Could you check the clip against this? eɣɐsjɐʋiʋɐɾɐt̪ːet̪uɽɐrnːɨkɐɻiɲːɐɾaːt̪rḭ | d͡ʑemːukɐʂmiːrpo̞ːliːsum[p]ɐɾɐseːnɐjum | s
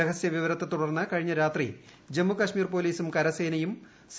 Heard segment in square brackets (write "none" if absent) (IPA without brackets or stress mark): k